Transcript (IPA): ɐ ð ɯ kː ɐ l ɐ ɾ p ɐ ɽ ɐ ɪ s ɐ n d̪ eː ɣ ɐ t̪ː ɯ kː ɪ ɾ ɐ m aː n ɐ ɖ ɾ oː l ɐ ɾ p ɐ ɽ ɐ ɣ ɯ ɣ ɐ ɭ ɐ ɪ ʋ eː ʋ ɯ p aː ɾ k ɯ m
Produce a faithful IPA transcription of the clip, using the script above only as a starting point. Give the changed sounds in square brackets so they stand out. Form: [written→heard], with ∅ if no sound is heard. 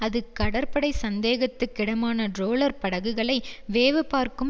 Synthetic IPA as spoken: ɐ ð ɯ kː ɐ [l→ɽ] ɐ ɾ p ɐ ɽ ɐ ɪ s ɐ n d̪ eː ɣ ɐ t̪ː ɯ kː ɪ [ɾ→ɽ] ɐ m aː n ɐ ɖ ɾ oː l ɐ ɾ p ɐ ɽ ɐ ɣ ɯ ɣ ɐ ɭ ɐ ɪ ʋ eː ʋ ɯ p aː ɾ k ɯ m